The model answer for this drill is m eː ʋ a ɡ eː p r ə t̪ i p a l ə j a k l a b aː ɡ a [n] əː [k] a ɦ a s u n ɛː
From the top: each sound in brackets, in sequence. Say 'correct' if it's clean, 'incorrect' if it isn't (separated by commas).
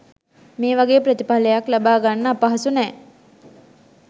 incorrect, incorrect